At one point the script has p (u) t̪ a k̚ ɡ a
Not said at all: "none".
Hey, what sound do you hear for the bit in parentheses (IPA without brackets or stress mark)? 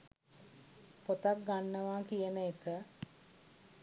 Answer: o